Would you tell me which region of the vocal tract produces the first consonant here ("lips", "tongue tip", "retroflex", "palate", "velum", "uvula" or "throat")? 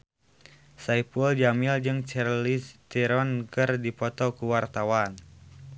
tongue tip